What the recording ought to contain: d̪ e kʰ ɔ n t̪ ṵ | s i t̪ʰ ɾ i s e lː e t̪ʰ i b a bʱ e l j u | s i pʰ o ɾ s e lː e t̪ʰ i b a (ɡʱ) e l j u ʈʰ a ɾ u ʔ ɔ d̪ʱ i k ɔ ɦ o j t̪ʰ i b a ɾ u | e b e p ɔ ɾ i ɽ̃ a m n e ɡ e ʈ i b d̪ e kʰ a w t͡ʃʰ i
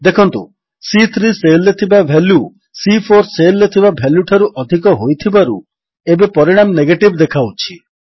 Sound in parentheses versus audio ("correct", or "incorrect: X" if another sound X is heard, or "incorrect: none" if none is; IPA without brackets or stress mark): incorrect: bʱ